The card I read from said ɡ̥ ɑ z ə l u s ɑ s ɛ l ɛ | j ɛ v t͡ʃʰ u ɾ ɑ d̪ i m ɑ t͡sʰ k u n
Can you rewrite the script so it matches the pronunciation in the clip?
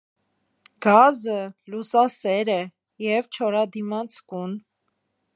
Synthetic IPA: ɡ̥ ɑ z ə l u s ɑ s ɛ ɾ ɛ | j ɛ v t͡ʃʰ ɔ ɾ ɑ d̪ i m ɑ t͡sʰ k u n

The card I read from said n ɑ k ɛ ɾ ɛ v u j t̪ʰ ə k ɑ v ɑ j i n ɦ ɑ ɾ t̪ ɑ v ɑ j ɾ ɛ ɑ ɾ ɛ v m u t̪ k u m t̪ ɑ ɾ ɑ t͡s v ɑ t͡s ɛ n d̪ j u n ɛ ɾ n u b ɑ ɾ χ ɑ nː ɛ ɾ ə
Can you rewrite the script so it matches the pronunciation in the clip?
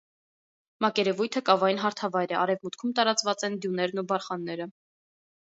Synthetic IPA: m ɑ k ɛ ɾ ɛ v u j t̪ʰ ə k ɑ v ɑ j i n ɦ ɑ ɾ t̪ʰ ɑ v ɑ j ɾ ɛ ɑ ɾ ɛ v m u t̪ kʰ u m t̪ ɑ ɾ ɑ t͡s v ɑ t͡s ɛ n d̪ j u n ɛ ɾ n u b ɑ ɾ χ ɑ nː ɛ ɾ ə

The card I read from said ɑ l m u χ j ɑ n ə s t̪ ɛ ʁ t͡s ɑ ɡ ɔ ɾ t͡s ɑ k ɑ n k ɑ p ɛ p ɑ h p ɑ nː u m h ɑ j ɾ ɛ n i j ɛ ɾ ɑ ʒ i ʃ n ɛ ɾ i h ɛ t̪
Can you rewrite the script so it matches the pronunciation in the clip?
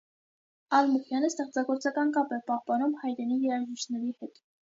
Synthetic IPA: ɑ l m u χ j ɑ n ə s t̪ ɛ χ t͡s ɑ ɡ ɔ ɾ t͡s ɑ k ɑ n k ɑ p ɛ p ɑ h p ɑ n u m h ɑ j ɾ ɛ n i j ɛ ɾ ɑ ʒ i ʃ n ɛ ɾ i h ɛ t̪

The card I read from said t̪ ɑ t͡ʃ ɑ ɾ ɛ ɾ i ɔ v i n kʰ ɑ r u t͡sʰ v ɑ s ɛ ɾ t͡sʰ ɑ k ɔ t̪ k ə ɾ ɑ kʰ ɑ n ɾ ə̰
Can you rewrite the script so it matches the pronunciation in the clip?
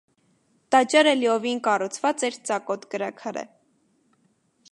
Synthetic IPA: t̪ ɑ t͡ʃ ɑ ɾ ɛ l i ɔ v i n k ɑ r u t͡sʰ v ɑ t͡s ɛ ɾ t͡s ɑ k ɔ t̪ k ə ɾ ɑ kʰ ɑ ɾ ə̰

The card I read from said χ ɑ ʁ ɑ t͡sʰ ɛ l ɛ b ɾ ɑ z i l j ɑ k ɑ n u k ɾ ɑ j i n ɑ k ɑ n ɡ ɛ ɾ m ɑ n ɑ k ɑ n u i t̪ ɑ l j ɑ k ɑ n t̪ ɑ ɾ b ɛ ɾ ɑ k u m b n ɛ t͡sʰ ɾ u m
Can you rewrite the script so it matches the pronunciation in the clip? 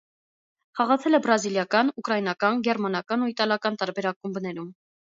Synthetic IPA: χ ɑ ʁ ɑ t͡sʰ ɛ l ɛ b ɾ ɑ z i l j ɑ k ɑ n u k ɾ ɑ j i n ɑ k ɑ n ɡ ɛ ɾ m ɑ n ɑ k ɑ n u i t̪ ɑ l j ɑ k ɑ n t̪ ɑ ɾ b ɛ ɾ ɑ k u m b n ɛ ɾ u m

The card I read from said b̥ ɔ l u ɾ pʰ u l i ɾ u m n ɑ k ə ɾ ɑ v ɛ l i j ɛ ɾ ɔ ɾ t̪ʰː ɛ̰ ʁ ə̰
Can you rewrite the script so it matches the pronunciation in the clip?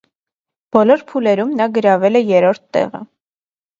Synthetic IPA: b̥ ɔ l ɔ ɾ pʰ u l ɛ ɾ u m n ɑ ɡ ə ɾ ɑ v ɛ l ɛ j ɛ ɾ ɔ ɾ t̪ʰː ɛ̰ ʁ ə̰

